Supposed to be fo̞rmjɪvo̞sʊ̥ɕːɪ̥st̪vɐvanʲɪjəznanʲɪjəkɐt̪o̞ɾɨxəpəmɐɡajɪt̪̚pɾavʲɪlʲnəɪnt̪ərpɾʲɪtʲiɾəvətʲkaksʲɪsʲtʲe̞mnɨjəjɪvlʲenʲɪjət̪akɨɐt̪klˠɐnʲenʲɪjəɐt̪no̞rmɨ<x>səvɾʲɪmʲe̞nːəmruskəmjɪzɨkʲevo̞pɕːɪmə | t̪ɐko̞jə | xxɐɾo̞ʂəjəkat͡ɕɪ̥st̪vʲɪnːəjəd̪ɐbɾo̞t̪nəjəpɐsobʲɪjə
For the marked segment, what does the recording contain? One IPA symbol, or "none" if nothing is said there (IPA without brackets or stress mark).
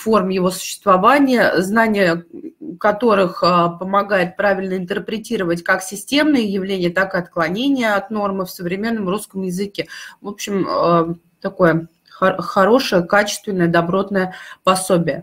f